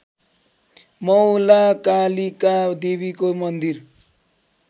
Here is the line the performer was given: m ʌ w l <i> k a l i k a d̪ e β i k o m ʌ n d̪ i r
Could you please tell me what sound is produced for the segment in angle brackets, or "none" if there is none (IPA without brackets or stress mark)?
a